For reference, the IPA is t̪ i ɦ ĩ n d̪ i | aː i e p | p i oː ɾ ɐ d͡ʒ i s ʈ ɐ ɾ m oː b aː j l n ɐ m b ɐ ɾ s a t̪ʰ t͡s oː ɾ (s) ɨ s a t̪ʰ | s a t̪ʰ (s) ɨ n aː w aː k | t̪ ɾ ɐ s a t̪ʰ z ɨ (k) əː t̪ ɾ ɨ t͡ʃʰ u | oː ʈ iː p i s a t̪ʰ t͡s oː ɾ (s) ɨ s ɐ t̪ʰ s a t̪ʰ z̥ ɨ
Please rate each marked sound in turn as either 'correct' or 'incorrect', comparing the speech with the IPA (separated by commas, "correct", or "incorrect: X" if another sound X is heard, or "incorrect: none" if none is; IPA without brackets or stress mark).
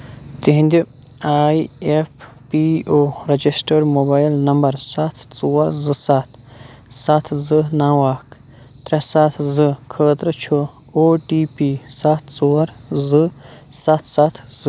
incorrect: z, incorrect: z, incorrect: kʰ, incorrect: z